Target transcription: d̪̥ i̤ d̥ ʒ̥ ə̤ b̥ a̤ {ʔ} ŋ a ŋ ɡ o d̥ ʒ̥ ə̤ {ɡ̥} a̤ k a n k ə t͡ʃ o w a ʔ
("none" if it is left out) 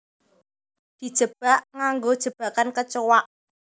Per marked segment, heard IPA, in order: ʔ, b̥

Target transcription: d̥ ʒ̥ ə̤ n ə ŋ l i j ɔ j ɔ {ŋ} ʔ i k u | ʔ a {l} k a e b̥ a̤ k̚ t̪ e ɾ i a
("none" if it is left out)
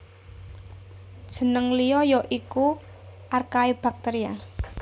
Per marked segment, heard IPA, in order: none, r

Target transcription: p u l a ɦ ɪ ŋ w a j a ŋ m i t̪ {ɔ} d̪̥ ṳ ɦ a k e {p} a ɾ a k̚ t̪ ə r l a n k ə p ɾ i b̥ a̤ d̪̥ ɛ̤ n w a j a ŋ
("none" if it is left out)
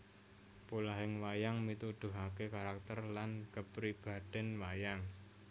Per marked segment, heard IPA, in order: u, k

